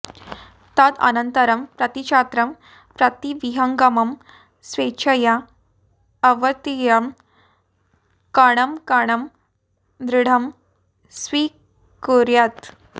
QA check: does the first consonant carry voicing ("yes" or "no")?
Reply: no